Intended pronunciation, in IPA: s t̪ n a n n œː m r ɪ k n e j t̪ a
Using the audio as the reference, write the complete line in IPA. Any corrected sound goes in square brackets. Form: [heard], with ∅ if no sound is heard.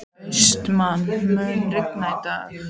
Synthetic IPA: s t̪ [m] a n [m] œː [n] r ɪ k n [a] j t̪ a